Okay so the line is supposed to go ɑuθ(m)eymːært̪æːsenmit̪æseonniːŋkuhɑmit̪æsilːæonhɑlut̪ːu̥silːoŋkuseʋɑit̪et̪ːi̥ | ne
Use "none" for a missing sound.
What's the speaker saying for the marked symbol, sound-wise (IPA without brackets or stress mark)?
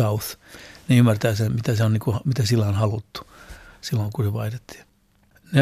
n